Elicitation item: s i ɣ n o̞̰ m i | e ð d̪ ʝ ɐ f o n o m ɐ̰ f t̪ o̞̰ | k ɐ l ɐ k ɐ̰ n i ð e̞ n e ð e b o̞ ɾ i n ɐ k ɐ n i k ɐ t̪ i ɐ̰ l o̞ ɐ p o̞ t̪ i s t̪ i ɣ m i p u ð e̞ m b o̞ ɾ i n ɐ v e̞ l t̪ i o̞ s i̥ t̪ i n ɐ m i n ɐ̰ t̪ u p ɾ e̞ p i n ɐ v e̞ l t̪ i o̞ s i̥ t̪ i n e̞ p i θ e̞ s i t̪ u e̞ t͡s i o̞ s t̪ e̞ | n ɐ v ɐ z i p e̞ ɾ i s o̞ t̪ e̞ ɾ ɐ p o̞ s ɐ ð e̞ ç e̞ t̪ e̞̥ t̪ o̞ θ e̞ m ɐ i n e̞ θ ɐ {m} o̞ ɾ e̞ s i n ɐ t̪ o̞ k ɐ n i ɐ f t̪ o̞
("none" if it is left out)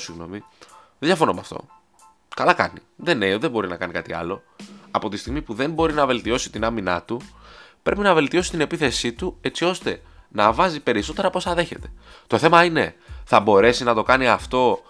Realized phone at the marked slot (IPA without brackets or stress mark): b